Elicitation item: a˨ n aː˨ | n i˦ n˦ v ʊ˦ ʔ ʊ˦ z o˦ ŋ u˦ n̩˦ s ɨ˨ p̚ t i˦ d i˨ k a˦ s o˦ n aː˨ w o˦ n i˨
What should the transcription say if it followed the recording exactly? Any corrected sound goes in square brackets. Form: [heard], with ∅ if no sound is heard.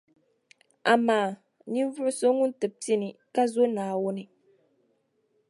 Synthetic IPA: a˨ [m] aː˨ | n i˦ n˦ v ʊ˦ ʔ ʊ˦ [s] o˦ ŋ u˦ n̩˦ [t] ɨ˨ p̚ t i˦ [n] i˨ k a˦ [z] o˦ n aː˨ w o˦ n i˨